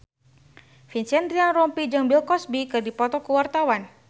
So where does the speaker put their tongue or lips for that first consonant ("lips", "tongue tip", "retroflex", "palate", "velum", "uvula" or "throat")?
lips